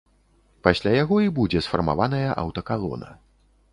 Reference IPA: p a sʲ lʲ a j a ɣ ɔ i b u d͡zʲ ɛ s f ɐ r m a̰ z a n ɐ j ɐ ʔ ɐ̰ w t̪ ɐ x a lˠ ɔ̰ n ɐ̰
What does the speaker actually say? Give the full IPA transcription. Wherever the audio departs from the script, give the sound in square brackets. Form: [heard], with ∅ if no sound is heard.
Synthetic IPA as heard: p a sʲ lʲ a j a ɣ ɔ i b u d͡zʲ ɛ s f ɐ r m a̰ [v] a n ɐ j ɐ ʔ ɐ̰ w t̪ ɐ [k] a lˠ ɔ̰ n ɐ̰